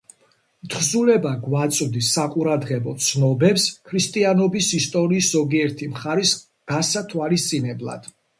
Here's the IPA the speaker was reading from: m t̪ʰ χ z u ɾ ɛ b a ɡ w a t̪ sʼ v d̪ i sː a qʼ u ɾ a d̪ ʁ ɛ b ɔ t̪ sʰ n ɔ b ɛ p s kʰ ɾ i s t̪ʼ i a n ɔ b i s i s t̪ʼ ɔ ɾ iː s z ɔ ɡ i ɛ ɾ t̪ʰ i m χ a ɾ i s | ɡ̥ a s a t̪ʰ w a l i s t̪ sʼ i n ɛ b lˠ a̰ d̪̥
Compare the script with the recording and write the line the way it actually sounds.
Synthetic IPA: m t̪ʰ χ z u l ɛ b a ɡ w a t̪ sʼ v d̪ i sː a qʼ u ɾ a d̪ ʁ ɛ b ɔ t̪ sʰ n ɔ b ɛ p s kʰ ɾ i s t̪ʼ i a n ɔ b i s i s t̪ʼ ɔ ɾ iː s z ɔ ɡ i ɛ ɾ t̪ʰ i m χ a ɾ i s | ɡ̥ a s a t̪ʰ w a l i s t̪ sʼ i n ɛ b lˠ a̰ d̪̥